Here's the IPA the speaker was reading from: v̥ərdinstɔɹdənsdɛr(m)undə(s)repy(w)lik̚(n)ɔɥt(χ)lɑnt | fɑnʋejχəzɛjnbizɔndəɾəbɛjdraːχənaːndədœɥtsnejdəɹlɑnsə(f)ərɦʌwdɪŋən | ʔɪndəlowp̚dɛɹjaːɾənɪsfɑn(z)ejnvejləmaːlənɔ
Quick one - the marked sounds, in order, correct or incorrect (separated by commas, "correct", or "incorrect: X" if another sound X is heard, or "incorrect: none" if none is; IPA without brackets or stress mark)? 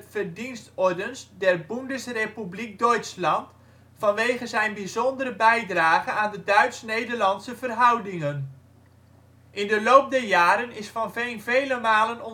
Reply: incorrect: b, correct, incorrect: b, incorrect: d, incorrect: s, incorrect: v, incorrect: v